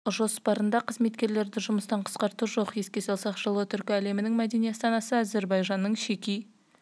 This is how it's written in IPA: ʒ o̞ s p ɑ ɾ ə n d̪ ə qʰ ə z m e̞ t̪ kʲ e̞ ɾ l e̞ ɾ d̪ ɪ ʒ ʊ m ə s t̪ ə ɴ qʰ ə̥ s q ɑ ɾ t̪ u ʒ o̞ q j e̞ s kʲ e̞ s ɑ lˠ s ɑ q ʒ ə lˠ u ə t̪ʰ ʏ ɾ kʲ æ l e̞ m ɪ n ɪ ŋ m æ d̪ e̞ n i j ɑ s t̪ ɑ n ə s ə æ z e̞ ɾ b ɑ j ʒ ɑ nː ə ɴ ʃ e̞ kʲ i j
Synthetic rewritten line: ʒ o̞ s p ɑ ɾ ə n d̪ ɑ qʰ ə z m e̞ t̪ kʲ e̞ ɾ l e̞ ɾ d̪ ɪ ʒ ʊ m ə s t̪ ɑ ɴ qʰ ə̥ s q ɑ ɾ t̪ u ʒ o̞ q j e̞ s kʲ e̞ s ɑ lˠ s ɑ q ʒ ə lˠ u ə t̪ʰ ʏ ɾ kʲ æ l e̞ m ɪ n ɪ ŋ m æ d̪ e̞ n i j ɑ s t̪ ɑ n ɑ s ə æ z e̞ ɾ b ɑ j ʒ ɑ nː ə ɴ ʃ e̞ kʲ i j